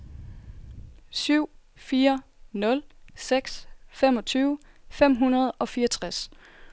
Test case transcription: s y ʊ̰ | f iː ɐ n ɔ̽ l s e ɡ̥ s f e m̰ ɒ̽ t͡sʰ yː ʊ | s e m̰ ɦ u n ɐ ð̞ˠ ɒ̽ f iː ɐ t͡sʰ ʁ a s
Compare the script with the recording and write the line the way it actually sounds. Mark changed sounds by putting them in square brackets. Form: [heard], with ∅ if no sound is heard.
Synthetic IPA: s y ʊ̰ | f iː ɐ n ɔ̽ l s e ɡ̥ s f e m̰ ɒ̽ t͡sʰ yː ʊ | [f] e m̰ ɦ u n ɐ ð̞ˠ ɒ̽ f iː ɐ t͡sʰ ʁ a s